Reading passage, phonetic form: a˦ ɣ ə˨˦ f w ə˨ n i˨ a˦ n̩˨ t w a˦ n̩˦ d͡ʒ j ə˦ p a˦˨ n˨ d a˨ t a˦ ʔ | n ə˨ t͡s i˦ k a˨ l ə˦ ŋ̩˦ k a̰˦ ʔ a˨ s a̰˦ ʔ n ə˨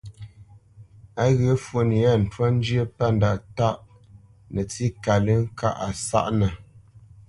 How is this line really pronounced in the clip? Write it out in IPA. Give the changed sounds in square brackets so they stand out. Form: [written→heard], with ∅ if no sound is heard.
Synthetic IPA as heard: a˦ ɣ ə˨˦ f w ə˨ n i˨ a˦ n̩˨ t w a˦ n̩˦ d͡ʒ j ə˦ p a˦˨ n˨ d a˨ t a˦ ʔ | n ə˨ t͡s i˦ k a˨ l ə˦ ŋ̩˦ k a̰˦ ʔ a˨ s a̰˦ ʔ n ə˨